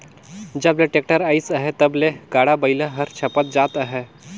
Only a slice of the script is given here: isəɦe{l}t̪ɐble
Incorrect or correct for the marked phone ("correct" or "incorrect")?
incorrect